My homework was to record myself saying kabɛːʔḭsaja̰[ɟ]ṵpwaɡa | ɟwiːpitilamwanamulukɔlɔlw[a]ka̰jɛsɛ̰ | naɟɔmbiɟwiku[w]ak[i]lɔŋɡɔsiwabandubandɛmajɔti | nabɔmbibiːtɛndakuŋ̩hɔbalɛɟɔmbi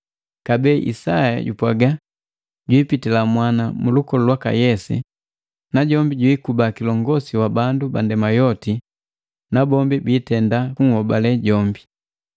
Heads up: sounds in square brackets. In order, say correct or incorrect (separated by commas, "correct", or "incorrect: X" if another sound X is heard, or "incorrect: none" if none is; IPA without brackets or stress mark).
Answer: correct, correct, incorrect: b, correct